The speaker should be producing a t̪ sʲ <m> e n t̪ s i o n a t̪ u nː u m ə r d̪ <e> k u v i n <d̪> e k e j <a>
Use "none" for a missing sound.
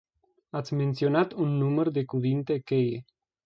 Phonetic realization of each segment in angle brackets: m, e, t̪, e

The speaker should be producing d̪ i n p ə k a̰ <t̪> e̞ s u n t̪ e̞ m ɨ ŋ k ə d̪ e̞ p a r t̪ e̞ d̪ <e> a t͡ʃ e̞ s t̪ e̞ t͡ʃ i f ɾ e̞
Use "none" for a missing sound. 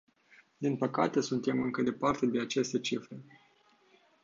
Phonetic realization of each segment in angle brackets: t̪, e

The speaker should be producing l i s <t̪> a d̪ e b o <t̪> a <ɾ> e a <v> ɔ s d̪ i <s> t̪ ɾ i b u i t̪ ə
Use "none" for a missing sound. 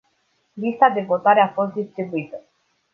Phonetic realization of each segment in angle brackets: t̪, t̪, ɾ, f, s

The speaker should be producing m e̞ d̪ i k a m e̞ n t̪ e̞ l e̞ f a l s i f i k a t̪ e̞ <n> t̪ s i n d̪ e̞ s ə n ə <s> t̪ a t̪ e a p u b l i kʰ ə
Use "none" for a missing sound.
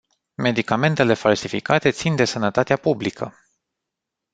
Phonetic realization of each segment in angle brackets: none, none

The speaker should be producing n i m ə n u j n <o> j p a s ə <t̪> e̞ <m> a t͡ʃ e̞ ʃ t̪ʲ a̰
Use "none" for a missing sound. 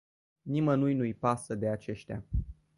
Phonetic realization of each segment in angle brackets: u, d̪, none

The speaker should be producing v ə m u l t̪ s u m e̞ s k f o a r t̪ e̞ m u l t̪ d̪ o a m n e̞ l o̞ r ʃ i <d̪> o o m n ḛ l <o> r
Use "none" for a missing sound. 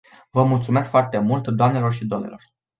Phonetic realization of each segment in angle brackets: d̪, o

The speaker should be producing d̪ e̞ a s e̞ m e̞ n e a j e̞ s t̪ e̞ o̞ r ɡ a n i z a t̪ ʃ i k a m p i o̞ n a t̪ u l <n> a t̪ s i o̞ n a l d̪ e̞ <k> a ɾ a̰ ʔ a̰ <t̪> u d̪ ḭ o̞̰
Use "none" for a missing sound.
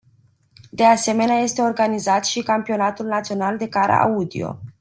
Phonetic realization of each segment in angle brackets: n, k, none

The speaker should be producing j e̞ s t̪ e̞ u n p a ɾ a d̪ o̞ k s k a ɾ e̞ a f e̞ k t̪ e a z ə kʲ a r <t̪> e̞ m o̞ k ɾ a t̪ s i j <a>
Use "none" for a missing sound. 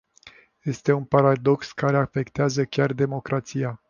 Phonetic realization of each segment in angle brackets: d̪, a

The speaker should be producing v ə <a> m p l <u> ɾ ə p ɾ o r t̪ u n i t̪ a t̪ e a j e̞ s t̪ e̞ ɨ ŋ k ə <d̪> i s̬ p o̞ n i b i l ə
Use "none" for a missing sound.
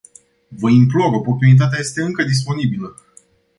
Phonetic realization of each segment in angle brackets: i, o, d̪

